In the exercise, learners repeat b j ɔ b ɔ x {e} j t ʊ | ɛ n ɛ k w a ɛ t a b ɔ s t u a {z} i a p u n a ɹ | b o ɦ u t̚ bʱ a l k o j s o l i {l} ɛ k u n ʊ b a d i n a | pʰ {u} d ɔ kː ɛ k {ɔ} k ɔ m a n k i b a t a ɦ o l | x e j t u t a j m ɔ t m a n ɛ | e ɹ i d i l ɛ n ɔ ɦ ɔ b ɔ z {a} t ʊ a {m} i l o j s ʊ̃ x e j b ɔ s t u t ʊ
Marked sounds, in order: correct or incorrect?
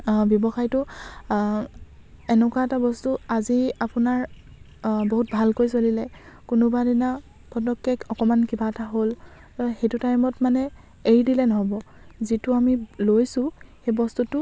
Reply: incorrect: a, correct, correct, incorrect: ɔ, correct, incorrect: i, correct

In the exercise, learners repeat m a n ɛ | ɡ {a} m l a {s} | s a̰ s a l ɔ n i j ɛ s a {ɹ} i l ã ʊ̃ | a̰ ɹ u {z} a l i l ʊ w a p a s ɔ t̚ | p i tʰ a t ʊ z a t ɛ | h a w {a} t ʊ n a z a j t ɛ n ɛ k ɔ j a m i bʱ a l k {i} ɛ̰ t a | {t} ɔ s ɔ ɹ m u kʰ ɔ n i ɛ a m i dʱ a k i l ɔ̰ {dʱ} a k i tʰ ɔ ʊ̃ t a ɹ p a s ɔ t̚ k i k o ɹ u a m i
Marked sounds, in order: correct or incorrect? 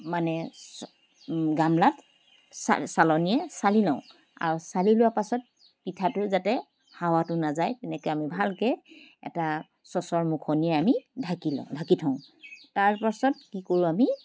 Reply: correct, incorrect: t, incorrect: l, incorrect: s, correct, incorrect: ɛ, incorrect: s, correct

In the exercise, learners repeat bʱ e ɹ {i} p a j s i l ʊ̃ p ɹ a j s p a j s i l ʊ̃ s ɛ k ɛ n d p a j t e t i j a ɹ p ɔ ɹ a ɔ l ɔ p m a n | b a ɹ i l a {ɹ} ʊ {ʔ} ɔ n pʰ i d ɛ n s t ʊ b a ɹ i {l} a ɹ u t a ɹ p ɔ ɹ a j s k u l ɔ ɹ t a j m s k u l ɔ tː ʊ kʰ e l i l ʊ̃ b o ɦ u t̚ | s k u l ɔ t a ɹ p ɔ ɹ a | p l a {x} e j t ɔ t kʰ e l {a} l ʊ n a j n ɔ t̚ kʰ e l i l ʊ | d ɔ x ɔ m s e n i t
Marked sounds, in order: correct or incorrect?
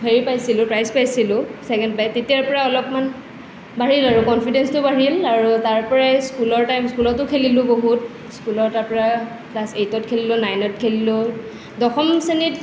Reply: correct, correct, incorrect: k, correct, incorrect: s, incorrect: i

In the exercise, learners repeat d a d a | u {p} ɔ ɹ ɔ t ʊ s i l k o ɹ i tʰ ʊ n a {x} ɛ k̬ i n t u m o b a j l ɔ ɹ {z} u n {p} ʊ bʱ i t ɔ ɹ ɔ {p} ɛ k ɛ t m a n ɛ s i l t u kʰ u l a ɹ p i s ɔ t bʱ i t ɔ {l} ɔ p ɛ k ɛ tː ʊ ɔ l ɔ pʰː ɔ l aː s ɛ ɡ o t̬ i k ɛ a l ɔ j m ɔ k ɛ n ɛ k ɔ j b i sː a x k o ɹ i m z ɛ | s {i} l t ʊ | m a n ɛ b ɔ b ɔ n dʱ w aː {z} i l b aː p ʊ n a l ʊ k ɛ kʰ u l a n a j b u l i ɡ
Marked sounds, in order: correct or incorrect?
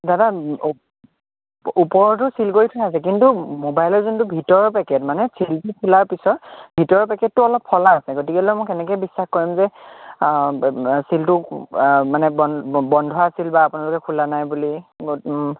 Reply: correct, incorrect: s, correct, incorrect: t, correct, incorrect: ɹ, correct, incorrect: s

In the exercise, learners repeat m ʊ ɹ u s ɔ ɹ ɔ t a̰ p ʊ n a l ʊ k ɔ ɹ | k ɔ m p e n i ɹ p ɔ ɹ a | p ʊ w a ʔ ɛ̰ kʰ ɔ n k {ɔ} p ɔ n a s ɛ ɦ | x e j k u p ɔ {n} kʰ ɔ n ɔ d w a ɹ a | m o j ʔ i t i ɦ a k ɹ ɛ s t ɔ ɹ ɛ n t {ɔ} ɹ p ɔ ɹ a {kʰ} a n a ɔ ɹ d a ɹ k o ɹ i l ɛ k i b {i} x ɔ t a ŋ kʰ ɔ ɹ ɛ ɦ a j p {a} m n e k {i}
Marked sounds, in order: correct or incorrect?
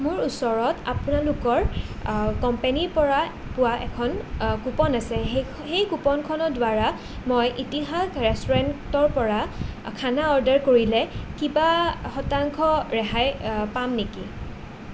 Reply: incorrect: u, correct, correct, correct, incorrect: a, correct, correct

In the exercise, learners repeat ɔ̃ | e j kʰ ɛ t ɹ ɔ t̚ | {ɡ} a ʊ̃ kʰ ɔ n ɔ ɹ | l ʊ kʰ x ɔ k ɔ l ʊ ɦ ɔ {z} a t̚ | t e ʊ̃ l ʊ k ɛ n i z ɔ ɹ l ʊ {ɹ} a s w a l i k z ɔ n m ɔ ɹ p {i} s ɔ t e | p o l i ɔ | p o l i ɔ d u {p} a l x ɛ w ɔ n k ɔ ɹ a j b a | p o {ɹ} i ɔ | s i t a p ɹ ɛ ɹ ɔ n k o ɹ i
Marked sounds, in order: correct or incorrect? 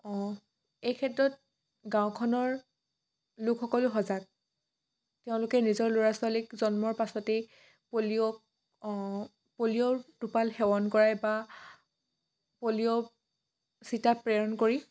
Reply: correct, correct, correct, incorrect: a, correct, incorrect: l

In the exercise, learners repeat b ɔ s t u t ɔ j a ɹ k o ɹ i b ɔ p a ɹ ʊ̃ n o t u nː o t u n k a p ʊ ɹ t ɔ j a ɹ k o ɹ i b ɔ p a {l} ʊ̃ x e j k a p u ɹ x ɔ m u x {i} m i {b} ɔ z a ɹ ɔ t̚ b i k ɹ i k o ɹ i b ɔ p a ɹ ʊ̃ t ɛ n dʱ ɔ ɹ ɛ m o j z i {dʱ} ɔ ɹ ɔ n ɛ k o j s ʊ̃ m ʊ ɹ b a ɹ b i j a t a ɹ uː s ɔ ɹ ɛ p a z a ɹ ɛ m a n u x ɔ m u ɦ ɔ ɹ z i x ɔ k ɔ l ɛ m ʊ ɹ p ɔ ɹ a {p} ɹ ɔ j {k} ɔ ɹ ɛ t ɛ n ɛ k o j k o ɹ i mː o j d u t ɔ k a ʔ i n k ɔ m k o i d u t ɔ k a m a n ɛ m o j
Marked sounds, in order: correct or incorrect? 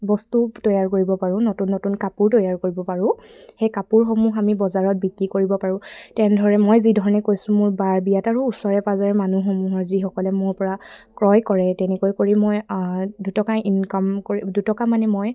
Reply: incorrect: ɹ, incorrect: a, correct, correct, incorrect: k, correct

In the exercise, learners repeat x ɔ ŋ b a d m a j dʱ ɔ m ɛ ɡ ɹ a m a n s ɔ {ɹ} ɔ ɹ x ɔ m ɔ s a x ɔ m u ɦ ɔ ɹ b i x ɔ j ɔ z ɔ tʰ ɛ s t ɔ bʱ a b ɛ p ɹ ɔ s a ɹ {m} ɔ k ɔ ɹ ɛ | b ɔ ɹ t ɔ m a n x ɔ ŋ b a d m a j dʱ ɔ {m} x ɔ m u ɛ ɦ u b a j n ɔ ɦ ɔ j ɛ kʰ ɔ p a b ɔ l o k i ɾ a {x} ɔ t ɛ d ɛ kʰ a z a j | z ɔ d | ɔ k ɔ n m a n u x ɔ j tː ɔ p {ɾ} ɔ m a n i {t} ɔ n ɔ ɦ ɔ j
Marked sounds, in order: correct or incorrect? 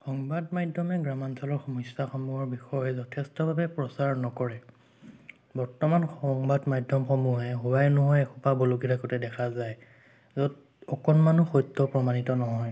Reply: incorrect: l, incorrect: n, correct, incorrect: k, incorrect: ɹ, correct

